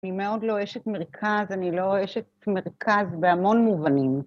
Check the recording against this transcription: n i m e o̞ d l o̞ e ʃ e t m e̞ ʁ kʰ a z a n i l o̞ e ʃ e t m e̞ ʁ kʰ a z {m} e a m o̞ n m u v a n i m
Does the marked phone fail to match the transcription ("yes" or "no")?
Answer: yes